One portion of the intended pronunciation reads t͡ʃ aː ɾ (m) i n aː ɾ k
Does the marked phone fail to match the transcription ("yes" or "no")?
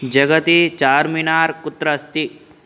no